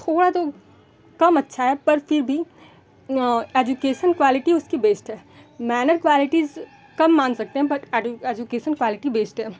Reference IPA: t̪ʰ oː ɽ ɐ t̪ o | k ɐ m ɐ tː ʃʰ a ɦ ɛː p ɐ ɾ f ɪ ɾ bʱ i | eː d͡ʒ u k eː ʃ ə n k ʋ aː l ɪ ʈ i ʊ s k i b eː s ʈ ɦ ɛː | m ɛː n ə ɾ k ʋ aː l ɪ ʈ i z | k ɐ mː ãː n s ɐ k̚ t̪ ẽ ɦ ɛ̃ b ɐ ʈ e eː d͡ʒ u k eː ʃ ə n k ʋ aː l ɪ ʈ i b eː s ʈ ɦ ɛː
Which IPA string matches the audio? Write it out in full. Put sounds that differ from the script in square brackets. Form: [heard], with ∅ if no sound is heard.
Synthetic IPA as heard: t̪ʰ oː ɽ [a] t̪ o | k ɐ m ɐ tː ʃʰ a ɦ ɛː p ɐ ɾ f ɪ ɾ bʱ i | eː d͡ʒ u k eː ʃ ə n k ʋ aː l ɪ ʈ i ʊ s k i b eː s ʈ ɦ ɛː | m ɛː n ə ɾ k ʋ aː l ɪ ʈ i z | k ɐ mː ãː n s ɐ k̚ t̪ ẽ ɦ ɛ̃ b ɐ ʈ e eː d͡ʒ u k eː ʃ ə n k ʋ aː l ɪ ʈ i b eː s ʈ ɦ ɛː

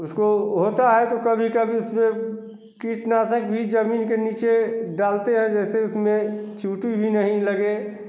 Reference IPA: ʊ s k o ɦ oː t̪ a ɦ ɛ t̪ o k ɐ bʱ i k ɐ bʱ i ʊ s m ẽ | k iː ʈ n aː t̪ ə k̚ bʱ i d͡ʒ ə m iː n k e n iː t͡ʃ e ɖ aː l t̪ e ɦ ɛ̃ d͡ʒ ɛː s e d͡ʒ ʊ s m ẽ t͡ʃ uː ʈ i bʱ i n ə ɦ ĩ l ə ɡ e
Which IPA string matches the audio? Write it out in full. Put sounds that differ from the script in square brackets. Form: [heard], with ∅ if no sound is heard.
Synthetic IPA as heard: ʊ s k o ɦ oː t̪ a ɦ ɛ t̪ o k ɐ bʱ i k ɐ bʱ i ʊ s m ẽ | k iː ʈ n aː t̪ ə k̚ bʱ i d͡ʒ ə m iː n k e n iː t͡ʃ e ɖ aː l t̪ e ɦ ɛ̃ d͡ʒ ɛː s e [∅] ʊ s m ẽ t͡ʃ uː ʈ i bʱ i n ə ɦ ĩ l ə ɡ e

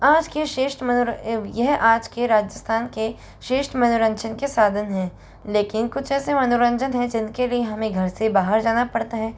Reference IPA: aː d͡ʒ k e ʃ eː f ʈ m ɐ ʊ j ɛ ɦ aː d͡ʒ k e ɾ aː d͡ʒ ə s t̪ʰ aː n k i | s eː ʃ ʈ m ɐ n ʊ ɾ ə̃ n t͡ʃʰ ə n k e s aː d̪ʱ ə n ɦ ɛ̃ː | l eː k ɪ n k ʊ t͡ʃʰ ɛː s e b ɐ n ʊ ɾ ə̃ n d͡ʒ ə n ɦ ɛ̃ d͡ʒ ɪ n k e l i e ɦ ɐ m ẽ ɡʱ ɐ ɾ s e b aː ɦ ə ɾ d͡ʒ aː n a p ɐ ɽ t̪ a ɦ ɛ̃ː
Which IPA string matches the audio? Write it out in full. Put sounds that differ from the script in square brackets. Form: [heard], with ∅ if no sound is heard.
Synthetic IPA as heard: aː d͡ʒ k e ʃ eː [ʃ] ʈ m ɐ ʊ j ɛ ɦ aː d͡ʒ k e ɾ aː d͡ʒ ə s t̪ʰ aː n k [e] | [ʃ] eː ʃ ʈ m ɐ n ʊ ɾ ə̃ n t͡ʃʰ ə n k e s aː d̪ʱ ə n ɦ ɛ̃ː | l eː k ɪ n k ʊ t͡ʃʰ ɛː s e [m] ɐ n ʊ ɾ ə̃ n d͡ʒ ə n ɦ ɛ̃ d͡ʒ ɪ n k e l i e ɦ ɐ m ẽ ɡʱ ɐ ɾ s e b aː ɦ ə ɾ d͡ʒ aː n a p ɐ ɽ t̪ a ɦ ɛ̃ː

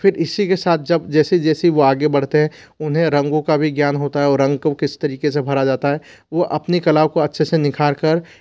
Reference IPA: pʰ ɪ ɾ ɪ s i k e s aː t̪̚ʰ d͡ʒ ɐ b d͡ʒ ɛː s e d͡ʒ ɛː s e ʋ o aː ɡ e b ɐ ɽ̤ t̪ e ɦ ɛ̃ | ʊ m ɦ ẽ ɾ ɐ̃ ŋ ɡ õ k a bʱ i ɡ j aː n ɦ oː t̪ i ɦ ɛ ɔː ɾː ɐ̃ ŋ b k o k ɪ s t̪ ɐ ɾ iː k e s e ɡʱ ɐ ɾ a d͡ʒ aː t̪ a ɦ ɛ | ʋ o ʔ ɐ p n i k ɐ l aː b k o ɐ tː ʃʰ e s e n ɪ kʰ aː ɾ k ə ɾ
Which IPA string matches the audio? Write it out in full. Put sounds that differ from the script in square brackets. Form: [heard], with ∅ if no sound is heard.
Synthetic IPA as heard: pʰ ɪ ɾ ɪ s i k e s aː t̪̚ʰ d͡ʒ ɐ b d͡ʒ ɛː s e d͡ʒ ɛː s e ʋ o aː ɡ e b ɐ ɽ̤ t̪ e ɦ ɛ̃ | ʊ [n] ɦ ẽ ɾ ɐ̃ ŋ ɡ õ k a bʱ i ɡ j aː n ɦ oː t̪ [a] ɦ ɛ ɔː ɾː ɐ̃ ŋ [ɡ] k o k ɪ s t̪ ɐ ɾ iː k e s e [bʱ] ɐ ɾ a d͡ʒ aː t̪ a ɦ ɛ | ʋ o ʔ ɐ p n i k ɐ l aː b k o ɐ tː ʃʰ e s e n ɪ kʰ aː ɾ k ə ɾ

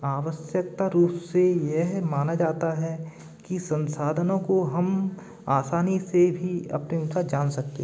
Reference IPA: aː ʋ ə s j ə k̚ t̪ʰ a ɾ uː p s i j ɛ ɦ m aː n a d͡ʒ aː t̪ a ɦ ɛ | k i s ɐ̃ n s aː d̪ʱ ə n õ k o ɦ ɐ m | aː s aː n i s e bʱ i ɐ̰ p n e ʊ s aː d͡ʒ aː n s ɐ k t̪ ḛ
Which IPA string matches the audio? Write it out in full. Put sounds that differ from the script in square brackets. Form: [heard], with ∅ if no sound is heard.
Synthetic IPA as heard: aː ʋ ə s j ə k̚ [t̪] a ɾ uː p s [e] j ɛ ɦ m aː n a d͡ʒ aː t̪ a ɦ ɛ | k i s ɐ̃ n s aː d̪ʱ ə n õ k o ɦ ɐ m | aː s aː n i s e bʱ i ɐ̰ p n e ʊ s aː d͡ʒ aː n s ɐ k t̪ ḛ

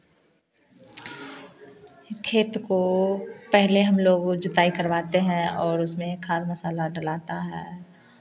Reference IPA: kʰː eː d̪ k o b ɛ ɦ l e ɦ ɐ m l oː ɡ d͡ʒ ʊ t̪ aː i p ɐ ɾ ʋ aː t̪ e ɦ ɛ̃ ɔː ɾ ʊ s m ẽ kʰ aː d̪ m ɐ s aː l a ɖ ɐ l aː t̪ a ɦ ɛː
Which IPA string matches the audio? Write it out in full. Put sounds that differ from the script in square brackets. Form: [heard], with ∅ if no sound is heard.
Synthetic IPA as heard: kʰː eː [t̪] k o [p] ɛ ɦ l e ɦ ɐ m l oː ɡ d͡ʒ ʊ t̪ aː i [k] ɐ ɾ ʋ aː t̪ e ɦ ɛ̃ ɔː ɾ ʊ s m ẽ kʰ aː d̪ m ɐ s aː l a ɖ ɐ l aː t̪ a ɦ ɛː

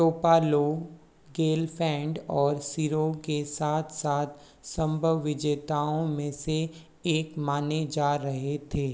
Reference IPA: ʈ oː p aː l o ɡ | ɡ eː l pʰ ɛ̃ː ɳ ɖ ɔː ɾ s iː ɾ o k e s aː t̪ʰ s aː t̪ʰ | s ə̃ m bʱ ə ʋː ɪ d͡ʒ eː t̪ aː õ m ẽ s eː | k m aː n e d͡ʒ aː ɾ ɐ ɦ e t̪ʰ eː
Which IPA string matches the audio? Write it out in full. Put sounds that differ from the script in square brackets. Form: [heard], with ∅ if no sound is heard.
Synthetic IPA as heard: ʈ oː p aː l o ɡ | ɡ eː l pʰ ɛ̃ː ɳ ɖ ɔː ɾ s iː ɾ o k e s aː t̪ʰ s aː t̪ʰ | s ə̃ m bʱ ə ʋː ɪ d͡ʒ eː t̪ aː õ m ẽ s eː | k m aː n e d͡ʒ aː ɾ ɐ ɦ e t̪ʰ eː

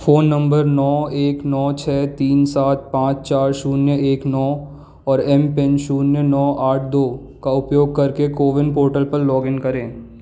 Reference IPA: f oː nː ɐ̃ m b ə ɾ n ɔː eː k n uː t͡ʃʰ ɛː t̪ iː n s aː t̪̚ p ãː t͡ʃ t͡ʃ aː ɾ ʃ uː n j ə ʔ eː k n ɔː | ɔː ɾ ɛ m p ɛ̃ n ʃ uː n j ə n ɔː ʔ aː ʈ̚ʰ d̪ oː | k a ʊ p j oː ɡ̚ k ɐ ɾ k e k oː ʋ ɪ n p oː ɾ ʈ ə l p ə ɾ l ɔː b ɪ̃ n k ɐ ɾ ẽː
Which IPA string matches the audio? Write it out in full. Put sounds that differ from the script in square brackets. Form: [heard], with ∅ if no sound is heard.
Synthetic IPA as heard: f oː nː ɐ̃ m b ə ɾ n ɔː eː k n [ɔː] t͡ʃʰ ɛː t̪ iː n s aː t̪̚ p ãː t͡ʃ t͡ʃ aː ɾ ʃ uː n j ə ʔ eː k n ɔː | ɔː ɾ ɛ m p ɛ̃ n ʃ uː n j ə n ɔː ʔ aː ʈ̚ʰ d̪ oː | k a ʊ p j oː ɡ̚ k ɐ ɾ k e k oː ʋ ɪ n p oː ɾ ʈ ə l p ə ɾ l ɔː [ɡ] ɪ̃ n k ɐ ɾ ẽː

